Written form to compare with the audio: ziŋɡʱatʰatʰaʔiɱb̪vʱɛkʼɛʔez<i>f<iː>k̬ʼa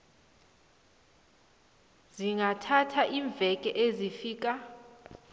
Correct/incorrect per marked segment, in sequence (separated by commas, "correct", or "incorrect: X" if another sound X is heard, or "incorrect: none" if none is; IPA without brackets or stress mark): correct, correct